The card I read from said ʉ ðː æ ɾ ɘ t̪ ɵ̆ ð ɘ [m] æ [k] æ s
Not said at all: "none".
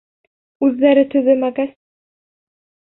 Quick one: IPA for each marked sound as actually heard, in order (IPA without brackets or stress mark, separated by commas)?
m, ɡ